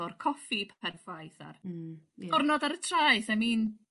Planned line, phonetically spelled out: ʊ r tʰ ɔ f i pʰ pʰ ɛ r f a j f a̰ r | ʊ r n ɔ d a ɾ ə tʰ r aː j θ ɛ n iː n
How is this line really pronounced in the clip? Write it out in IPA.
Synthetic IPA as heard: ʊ r kʰ ɔ f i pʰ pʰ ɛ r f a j θ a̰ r | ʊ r n ɔ d a ɾ ə tʰ r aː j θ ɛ m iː n